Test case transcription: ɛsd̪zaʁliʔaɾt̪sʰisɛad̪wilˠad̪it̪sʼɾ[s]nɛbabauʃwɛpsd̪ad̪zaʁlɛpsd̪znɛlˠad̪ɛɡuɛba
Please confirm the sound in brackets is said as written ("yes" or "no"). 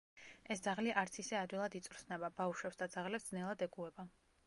yes